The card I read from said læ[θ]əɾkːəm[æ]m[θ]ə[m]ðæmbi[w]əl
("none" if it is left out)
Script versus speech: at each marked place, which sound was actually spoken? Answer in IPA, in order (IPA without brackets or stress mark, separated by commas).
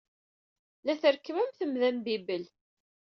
θ, æ, θ, m, b